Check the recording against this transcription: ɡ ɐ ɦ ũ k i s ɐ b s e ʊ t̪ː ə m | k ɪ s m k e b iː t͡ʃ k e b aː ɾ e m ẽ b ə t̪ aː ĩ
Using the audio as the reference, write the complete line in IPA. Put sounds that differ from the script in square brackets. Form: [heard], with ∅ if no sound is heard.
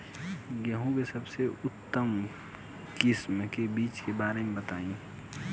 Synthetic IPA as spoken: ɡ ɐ ɦ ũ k [e] s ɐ b s e ʊ t̪ː ə m | k ɪ s m k e b iː t͡ʃ k e b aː ɾ e m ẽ b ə t̪ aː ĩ

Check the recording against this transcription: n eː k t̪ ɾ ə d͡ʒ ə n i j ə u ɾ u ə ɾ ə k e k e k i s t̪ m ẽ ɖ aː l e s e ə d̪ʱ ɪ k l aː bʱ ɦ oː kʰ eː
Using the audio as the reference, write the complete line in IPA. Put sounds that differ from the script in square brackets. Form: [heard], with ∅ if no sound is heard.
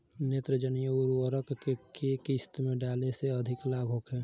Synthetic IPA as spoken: n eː [∅] t̪ ɾ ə d͡ʒ ə n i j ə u ɾ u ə ɾ ə k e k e k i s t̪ m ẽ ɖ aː l e s e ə d̪ʱ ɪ k l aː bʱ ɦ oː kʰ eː

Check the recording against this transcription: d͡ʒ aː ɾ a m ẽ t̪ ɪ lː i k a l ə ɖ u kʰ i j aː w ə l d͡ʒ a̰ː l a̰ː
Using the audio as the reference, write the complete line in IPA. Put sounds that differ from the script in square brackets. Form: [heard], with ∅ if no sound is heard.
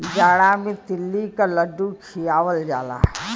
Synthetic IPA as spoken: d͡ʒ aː [ɽ] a m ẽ t̪ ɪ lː i k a l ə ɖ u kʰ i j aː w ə l d͡ʒ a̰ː l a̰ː

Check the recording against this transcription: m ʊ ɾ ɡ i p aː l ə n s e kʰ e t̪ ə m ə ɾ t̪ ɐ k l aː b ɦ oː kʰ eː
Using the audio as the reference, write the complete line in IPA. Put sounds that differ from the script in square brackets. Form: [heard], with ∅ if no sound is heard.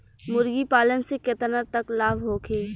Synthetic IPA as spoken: m ʊ ɾ ɡ i p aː l ə n s e [k] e t̪ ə [n] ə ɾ t̪ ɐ k l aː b ɦ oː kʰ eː

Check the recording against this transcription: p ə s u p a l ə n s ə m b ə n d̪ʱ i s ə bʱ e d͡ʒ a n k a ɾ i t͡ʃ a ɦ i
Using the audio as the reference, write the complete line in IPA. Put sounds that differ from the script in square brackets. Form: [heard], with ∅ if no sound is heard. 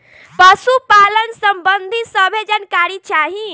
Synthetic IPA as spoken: p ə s u p a l ə n s ə m b ə n d̪ʱ i s ə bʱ e d͡ʒ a n k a ɾ i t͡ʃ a ɦ i

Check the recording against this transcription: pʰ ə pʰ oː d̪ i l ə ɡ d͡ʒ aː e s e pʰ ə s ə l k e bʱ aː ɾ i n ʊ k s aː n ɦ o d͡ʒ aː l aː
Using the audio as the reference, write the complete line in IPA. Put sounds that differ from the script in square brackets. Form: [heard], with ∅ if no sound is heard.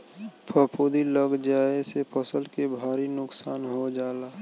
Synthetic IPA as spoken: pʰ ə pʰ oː d̪ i l ə ɡ d͡ʒ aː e s e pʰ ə s ə l k e bʱ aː ɾ i n ʊ k s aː n ɦ o d͡ʒ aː l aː

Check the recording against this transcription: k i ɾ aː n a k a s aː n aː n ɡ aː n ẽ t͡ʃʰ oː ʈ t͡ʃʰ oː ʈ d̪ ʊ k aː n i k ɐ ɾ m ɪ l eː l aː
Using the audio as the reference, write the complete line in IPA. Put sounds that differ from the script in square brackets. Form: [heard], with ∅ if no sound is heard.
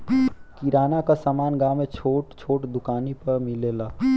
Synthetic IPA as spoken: k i ɾ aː n a k a s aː [m] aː n ɡ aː [m] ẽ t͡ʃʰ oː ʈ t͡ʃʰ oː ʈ d̪ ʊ k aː n i [p] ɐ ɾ m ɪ l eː l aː

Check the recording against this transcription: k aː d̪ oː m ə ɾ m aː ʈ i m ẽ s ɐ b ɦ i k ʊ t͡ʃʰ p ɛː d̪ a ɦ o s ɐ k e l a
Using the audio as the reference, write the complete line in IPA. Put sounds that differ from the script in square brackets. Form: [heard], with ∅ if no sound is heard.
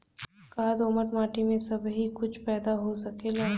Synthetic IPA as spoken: k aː d̪ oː m ə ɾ m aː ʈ i m ẽ s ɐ b ɦ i k ʊ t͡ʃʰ p ɛː d̪ a ɦ o s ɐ k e l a

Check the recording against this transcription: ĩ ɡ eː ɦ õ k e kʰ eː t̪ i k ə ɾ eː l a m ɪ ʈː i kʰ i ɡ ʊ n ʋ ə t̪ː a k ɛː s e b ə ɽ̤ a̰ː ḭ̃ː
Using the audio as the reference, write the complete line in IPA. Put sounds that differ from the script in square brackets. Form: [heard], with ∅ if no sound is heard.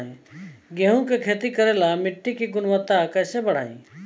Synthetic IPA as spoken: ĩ ɡ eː ɦ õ k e kʰ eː t̪ i k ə ɾ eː l a m ɪ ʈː i [k] i ɡ ʊ n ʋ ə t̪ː a k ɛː s e b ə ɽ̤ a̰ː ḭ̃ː

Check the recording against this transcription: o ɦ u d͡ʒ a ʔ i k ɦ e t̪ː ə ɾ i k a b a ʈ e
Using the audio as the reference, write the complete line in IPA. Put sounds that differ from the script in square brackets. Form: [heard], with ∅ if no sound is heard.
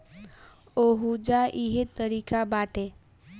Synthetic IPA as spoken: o ɦ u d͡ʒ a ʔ i [∅] ɦ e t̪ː ə ɾ i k a b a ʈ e

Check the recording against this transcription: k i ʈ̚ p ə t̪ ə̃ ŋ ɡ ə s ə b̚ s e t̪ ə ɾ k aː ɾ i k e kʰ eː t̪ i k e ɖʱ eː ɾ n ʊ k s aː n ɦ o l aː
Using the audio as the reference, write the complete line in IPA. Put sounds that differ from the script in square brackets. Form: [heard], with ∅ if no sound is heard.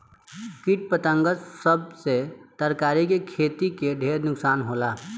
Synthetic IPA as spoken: k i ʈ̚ p ə t̪ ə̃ ŋ ɡ ə s ə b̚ s e t̪ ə ɾ k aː ɾ i k e kʰ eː t̪ i k e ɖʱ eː ɾ n ʊ k s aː n ɦ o l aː

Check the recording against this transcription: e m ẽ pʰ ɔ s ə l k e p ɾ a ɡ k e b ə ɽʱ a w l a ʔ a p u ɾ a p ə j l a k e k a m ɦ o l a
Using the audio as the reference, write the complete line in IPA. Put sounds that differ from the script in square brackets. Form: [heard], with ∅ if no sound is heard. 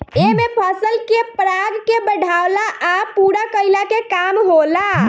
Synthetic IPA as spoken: e m [e] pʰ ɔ s ə l k e p ɾ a ɡ k e b ə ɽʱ a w l a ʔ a p u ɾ a [k] ə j l a k e k a m ɦ o l a

